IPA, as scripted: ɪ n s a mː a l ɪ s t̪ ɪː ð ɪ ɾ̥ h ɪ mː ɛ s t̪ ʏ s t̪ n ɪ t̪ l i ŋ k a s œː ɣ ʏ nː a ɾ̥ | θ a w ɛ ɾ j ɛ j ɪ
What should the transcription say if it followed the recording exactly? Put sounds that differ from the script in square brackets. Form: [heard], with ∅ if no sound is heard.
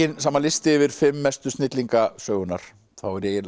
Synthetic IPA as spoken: ɪ n s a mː a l ɪ s t̪ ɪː [v] ɪ ɾ̥ [f] ɪ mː ɛ s t̪ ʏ s t̪ n ɪ t̪ l i ŋ k a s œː ɣ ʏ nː a ɾ̥ | θ a w ɛ ɾ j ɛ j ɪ